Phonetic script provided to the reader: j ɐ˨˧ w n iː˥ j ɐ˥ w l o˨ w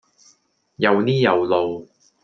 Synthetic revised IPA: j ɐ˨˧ w n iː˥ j ɐ˨ w l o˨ w